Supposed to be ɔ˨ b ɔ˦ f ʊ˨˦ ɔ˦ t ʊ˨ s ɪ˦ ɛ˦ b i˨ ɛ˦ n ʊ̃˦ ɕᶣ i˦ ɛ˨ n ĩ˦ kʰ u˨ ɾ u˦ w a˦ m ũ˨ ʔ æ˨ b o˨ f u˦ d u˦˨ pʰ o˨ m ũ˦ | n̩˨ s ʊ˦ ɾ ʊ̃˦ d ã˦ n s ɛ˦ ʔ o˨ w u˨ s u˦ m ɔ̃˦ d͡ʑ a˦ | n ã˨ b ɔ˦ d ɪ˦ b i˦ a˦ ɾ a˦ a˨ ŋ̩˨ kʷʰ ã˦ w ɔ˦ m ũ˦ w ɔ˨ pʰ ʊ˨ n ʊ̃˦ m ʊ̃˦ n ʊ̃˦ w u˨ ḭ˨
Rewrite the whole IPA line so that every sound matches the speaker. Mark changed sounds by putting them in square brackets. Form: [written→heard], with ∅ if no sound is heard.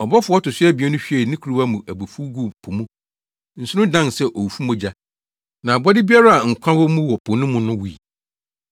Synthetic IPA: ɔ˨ b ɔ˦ f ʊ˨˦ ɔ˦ t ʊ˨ s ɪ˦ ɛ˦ b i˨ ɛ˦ n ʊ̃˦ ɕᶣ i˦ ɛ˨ n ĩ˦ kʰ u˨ ɾ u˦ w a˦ m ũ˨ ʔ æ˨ b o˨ f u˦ [d→ɡ] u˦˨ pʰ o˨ m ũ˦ | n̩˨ s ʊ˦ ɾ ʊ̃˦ d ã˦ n s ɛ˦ ʔ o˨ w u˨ [s→f] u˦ m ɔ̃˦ d͡ʑ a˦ | n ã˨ b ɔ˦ d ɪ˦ b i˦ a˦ ɾ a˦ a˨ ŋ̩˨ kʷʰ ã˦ w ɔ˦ m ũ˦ w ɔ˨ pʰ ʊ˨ n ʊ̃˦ m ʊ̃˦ n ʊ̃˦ w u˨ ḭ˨